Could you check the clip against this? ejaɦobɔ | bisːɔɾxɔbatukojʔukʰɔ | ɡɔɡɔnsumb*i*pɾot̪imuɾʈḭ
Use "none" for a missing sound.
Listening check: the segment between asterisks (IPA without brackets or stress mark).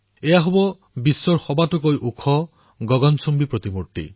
i